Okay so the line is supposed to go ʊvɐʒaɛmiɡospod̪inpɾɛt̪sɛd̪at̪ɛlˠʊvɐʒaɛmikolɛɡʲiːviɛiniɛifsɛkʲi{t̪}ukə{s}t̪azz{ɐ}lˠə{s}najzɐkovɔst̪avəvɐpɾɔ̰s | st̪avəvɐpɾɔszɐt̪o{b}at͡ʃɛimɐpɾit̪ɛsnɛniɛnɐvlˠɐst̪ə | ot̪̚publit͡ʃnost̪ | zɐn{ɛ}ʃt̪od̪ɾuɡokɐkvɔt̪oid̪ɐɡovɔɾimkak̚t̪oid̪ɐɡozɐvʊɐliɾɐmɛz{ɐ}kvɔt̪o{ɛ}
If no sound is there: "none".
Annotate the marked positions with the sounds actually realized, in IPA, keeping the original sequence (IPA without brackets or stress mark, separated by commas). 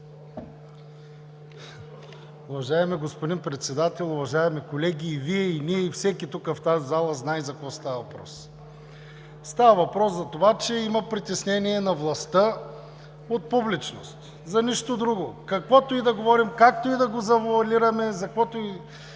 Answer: t̪, f, a, z, v, i, ɐ, i